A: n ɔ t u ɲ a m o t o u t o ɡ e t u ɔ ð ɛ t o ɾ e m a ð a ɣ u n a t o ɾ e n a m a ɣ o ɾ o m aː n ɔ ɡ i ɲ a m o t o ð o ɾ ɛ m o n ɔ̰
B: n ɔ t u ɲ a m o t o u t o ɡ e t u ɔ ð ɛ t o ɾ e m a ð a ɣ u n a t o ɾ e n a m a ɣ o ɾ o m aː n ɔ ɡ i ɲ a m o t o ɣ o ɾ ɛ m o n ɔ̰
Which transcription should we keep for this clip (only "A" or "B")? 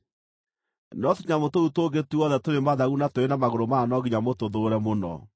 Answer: A